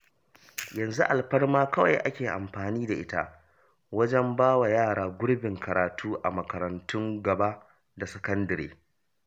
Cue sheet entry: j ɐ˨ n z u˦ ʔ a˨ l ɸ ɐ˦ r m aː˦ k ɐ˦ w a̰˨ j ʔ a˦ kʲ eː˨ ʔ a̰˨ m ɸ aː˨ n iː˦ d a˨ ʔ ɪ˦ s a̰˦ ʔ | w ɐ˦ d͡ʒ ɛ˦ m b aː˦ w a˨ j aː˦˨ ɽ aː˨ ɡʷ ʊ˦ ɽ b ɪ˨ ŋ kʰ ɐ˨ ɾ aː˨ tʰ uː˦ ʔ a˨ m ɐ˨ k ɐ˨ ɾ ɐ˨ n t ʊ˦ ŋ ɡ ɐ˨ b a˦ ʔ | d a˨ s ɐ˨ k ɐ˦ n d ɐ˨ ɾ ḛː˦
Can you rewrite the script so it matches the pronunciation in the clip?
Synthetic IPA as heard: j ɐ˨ n z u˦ ʔ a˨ l ɸ ɐ˦ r m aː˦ k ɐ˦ w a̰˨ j ʔ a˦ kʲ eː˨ ʔ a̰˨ m ɸ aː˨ n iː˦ d a˨ ʔ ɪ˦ t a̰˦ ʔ | w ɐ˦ d͡ʒ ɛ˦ m b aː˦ w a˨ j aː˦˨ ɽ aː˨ ɡʷ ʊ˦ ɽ b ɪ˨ ŋ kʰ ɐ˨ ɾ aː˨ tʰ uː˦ ʔ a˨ m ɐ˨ k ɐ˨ ɾ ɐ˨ n t ʊ˦ ŋ ɡ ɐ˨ b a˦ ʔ | d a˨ s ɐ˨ k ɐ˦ n d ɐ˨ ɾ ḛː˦